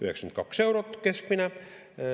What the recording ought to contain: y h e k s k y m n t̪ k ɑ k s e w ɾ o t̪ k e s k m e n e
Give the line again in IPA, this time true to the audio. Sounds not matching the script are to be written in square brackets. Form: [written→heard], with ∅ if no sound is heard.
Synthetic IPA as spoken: y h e k s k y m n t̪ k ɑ k s e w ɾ o t̪ k e s k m [e→i] n [e→æ]